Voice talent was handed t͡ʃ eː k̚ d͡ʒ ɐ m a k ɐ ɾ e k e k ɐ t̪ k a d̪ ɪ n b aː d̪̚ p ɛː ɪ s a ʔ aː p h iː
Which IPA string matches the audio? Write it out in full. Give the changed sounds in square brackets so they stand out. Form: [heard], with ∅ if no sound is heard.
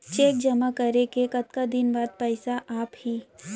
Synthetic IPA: t͡ʃ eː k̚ d͡ʒ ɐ m a k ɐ ɾ e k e k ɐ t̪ k a d̪ ɪ n b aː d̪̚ p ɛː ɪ s a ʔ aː p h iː